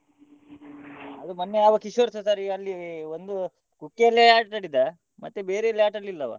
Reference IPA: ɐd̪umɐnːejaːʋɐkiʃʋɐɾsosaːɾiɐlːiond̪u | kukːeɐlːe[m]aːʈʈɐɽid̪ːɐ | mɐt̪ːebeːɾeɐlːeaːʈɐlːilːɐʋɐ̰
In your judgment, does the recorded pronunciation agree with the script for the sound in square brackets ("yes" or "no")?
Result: no